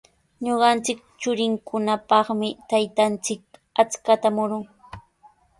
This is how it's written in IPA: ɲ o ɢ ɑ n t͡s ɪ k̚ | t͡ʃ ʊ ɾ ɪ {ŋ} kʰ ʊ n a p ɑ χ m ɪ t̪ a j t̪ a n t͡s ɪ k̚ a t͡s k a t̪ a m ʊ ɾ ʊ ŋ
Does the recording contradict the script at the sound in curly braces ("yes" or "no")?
no